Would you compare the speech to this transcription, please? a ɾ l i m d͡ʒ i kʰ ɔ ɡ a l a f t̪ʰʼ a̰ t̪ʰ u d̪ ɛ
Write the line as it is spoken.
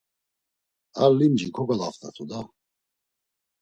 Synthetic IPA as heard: a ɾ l i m d͡ʒ i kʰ ɔ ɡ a l a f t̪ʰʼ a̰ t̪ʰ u d̪ a